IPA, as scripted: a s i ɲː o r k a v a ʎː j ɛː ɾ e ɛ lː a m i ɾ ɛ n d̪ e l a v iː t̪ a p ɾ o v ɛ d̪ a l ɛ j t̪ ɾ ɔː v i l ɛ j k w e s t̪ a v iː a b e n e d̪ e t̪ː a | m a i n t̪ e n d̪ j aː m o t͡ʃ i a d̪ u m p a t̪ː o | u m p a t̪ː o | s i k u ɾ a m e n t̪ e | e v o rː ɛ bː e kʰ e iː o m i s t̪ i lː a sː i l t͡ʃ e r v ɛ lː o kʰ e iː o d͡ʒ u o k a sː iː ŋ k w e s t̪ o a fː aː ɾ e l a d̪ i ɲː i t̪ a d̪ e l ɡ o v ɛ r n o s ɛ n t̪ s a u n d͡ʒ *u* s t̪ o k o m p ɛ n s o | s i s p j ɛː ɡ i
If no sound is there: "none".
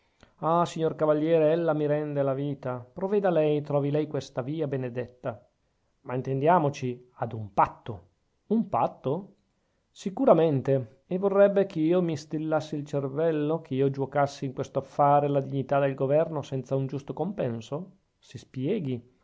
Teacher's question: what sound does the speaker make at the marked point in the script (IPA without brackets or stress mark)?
u